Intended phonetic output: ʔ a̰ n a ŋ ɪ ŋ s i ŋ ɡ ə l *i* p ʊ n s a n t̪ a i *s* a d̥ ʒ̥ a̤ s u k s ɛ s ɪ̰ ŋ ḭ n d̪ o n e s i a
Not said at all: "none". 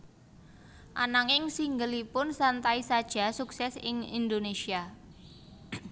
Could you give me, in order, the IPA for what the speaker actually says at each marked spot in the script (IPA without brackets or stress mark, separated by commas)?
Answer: i, s